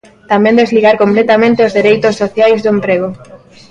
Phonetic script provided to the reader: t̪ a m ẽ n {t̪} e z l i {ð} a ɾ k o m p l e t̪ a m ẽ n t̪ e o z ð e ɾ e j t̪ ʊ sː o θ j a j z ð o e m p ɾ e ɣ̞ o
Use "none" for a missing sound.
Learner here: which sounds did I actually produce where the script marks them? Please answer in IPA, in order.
d̪, ɣ

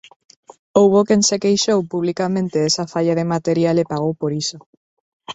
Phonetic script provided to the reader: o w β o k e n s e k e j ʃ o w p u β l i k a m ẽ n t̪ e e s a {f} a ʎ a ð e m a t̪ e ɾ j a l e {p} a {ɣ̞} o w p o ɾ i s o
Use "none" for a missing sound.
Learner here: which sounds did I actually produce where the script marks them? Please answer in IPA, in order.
f, p, ɣ̞

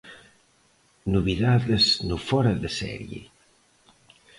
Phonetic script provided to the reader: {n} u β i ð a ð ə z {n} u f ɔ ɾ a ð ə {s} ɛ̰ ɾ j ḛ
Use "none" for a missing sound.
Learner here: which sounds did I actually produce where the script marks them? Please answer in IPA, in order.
n, n, s

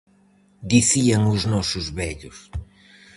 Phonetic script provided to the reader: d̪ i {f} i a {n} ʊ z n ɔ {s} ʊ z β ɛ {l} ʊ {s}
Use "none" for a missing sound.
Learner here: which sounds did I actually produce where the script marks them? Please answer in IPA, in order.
θ, ŋ, s, ʎ, s

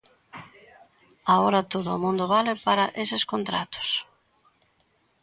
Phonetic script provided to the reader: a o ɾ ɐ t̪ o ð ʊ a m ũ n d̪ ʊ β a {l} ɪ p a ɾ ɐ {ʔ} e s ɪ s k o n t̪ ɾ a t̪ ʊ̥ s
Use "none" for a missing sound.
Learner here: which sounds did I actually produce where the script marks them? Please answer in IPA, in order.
l, ʔ

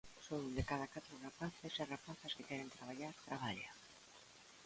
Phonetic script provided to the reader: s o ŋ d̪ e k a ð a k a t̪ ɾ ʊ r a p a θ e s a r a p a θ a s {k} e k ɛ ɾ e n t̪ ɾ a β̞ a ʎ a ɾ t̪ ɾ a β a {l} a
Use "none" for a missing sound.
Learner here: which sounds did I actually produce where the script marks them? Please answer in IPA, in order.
k, ʎ

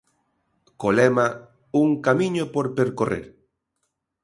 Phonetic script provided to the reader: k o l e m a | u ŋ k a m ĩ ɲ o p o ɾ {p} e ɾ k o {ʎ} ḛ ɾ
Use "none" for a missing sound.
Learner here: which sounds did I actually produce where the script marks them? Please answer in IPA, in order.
p, r

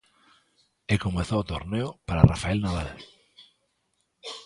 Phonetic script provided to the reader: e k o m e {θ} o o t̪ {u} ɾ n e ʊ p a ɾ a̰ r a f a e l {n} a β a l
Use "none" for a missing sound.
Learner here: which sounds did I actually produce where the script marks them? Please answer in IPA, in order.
θ, o, n

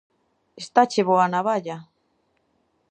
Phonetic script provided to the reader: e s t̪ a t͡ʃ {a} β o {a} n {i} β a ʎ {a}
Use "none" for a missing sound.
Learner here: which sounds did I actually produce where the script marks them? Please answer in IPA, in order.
e, a, a, a

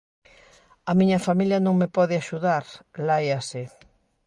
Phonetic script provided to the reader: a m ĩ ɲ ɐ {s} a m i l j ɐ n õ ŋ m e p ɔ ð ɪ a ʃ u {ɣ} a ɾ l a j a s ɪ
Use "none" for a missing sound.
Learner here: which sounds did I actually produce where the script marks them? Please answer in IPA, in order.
f, ð

